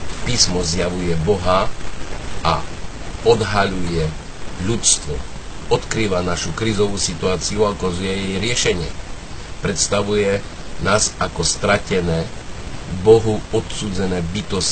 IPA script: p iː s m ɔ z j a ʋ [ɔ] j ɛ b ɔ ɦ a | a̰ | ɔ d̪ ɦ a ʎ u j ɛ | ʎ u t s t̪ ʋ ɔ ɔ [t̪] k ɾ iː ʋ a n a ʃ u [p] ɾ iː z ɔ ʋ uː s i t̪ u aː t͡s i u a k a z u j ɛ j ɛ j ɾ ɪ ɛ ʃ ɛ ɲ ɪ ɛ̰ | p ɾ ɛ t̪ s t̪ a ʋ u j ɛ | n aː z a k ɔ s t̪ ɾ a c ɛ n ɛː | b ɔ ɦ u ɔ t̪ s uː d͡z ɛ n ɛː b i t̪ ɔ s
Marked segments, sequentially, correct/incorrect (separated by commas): incorrect, correct, incorrect